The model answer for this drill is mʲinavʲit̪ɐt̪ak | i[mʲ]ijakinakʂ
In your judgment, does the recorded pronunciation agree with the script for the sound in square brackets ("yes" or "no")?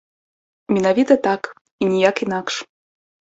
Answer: no